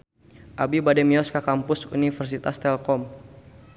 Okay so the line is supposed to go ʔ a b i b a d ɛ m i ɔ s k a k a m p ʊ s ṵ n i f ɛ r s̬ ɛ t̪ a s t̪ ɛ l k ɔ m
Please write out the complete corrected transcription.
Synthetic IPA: ʔ a b i b a d ɛ m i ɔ s k a k a m p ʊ s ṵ n i f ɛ r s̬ i t̪ a s t̪ ɛ l k ɔ m